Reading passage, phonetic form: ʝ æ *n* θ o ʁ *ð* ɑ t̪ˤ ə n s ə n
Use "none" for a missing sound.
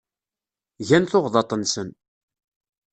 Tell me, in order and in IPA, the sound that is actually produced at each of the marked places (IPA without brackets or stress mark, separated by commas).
n, ð